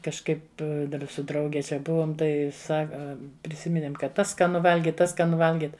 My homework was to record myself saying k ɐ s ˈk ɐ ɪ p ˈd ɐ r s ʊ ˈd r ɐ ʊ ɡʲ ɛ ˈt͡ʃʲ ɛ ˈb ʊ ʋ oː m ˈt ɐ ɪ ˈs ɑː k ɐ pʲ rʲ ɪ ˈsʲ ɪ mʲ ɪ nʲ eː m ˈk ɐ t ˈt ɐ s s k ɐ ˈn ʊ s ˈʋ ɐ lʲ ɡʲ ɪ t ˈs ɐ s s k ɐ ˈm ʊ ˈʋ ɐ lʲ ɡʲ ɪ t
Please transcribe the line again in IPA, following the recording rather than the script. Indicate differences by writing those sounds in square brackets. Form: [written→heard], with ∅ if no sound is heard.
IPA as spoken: k ɐ [s→ʃ] ˈk ɐ ɪ p ˈd ɐ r s ʊ ˈd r ɐ ʊ ɡʲ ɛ ˈt͡ʃʲ ɛ ˈb ʊ ʋ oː m ˈt ɐ ɪ ˈs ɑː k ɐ pʲ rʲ ɪ ˈsʲ ɪ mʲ ɪ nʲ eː m ˈk ɐ t ˈt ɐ s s k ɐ ˈn ʊ [s→∅] ˈʋ ɐ lʲ ɡʲ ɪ t [ˈs→ˈt] ɐ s s k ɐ [ˈm→ˈn] ʊ ˈʋ ɐ lʲ ɡʲ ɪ t

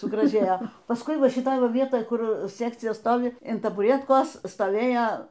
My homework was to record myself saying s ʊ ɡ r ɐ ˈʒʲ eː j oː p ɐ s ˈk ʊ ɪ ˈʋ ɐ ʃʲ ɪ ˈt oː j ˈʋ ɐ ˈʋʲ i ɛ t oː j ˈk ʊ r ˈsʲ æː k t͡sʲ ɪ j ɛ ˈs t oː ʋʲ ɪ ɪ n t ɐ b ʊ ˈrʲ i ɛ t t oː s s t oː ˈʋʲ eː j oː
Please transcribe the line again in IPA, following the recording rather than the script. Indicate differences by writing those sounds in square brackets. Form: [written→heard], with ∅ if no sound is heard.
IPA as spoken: s ʊ ɡ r ɐ ˈʒʲ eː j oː p ɐ s ˈk ʊ ɪ ˈʋ ɐ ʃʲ ɪ ˈt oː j ˈʋ ɐ ˈʋʲ i ɛ t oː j ˈk ʊ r ˈsʲ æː k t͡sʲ ɪ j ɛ ˈs t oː ʋʲ ɪ ɪ n t ɐ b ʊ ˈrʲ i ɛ t [t→k] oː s s t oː ˈʋʲ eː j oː

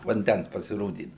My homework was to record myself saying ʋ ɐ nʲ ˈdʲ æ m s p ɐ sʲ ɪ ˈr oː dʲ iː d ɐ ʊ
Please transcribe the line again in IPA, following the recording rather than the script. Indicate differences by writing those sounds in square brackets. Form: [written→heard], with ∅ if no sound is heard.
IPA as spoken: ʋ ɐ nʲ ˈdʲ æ [m→n] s p ɐ sʲ ɪ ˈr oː dʲ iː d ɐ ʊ

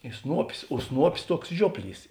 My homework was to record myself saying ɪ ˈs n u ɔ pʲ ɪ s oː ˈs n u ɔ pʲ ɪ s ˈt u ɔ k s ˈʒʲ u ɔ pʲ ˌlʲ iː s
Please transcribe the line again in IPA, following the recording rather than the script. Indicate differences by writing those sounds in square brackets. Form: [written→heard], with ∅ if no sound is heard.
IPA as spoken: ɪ ˈs n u ɔ pʲ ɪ s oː ˈs n u ɔ pʲ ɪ s ˈt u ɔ k s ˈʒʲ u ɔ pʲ ˌlʲ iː s

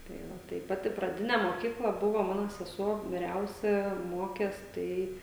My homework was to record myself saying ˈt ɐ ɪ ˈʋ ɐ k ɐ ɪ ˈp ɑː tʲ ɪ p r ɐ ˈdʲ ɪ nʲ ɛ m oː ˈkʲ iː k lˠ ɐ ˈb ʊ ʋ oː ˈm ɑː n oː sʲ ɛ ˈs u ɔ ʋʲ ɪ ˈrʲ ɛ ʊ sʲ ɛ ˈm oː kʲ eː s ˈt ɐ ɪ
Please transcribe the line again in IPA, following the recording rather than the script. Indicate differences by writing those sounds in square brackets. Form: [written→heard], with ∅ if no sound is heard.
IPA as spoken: ˈt ɐ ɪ ˈʋ ɐ [k→t] ɐ ɪ ˈp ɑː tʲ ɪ p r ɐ ˈdʲ ɪ nʲ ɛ m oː ˈkʲ iː k lˠ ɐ ˈb ʊ ʋ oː ˈm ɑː n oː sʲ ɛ ˈs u ɔ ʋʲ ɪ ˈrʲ ɛ ʊ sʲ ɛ ˈm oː kʲ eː s ˈt ɐ ɪ

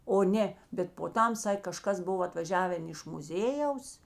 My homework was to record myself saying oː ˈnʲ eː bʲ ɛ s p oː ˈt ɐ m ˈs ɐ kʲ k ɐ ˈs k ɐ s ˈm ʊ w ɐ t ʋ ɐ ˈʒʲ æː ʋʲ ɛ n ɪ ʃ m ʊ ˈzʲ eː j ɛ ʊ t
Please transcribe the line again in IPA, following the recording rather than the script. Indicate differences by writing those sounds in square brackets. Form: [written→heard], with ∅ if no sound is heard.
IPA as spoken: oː ˈnʲ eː bʲ ɛ [s→t] p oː ˈt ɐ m ˈs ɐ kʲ k ɐ [ˈs→ˈʃ] k ɐ s [ˈm→ˈb] ʊ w ɐ t ʋ ɐ ˈʒʲ æː ʋʲ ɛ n ɪ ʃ m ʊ ˈzʲ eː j ɛ ʊ [t→s]

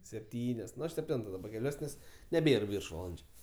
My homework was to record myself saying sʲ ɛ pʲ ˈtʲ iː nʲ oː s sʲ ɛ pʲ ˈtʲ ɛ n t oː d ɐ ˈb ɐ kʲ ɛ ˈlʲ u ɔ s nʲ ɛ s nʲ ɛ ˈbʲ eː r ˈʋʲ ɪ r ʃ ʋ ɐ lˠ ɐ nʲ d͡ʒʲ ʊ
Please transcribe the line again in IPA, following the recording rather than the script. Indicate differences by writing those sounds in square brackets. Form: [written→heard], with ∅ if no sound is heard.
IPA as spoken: sʲ ɛ pʲ ˈtʲ iː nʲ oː s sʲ ɛ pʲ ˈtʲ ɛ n t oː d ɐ ˈb ɐ kʲ ɛ ˈlʲ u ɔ s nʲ ɛ s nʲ ɛ ˈbʲ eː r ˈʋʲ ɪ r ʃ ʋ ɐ lˠ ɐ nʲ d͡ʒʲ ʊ

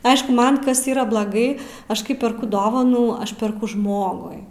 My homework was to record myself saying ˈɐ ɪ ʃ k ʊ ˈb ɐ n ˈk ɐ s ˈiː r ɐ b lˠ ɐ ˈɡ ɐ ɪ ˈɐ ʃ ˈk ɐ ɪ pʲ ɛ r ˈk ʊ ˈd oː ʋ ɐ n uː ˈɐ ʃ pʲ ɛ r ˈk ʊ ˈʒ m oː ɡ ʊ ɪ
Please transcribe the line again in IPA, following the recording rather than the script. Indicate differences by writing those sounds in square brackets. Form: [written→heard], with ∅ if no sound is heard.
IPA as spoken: ˈɐ ɪ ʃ k ʊ [ˈb→ˈm] ɐ n ˈk ɐ s ˈiː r ɐ b lˠ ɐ ˈɡ ɐ ɪ ˈɐ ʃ ˈk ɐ ɪ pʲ ɛ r ˈk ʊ ˈd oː ʋ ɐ n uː ˈɐ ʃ pʲ ɛ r ˈk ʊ ˈʒ m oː ɡ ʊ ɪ

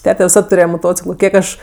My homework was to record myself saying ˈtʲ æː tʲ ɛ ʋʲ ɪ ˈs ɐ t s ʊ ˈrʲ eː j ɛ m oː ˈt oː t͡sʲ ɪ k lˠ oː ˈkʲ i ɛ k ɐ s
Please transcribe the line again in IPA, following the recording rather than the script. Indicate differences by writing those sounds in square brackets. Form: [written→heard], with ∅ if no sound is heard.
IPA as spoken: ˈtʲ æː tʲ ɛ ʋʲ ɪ ˈs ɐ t [s→t] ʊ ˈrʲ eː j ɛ m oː ˈt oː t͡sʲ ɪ k lˠ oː ˈkʲ i ɛ k ɐ [s→ʃ]

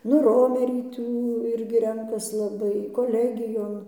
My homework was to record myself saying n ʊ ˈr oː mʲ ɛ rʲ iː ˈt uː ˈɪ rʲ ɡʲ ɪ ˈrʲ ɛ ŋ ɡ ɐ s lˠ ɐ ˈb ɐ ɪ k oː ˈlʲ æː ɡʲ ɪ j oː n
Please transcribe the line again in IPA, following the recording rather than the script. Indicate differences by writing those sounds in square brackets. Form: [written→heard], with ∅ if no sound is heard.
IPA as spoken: n ʊ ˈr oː mʲ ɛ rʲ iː ˈt uː ˈɪ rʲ ɡʲ ɪ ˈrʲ ɛ ŋ [ɡ→k] ɐ s lˠ ɐ ˈb ɐ ɪ k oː ˈlʲ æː ɡʲ ɪ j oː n

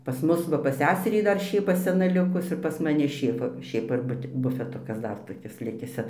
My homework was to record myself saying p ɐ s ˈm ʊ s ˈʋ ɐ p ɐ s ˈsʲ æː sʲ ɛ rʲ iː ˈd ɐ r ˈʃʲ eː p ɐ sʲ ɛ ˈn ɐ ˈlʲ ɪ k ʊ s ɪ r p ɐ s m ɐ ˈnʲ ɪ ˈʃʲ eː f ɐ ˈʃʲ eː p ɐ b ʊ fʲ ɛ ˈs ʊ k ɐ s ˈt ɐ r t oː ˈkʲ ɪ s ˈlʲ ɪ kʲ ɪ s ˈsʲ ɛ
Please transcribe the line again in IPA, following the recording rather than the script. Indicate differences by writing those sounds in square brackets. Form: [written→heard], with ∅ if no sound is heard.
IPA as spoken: p ɐ s ˈm ʊ s ˈʋ ɐ p ɐ s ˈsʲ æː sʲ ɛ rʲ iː ˈd ɐ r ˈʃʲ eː p ɐ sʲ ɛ ˈn ɐ ˈlʲ ɪ k ʊ s ɪ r p ɐ s m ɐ ˈnʲ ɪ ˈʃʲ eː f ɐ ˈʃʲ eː p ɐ b ʊ fʲ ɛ [ˈs→ˈt] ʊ k ɐ s [ˈt→ˈd] ɐ r t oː ˈkʲ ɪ s ˈlʲ ɪ kʲ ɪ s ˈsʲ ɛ

